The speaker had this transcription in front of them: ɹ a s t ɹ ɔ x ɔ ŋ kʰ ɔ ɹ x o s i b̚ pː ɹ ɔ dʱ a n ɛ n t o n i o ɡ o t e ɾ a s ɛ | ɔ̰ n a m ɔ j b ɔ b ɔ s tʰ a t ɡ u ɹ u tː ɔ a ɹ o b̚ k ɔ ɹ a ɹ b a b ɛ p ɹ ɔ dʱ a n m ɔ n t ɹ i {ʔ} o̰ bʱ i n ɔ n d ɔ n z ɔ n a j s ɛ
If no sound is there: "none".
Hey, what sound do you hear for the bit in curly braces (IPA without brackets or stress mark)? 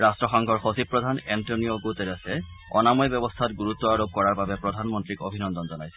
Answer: k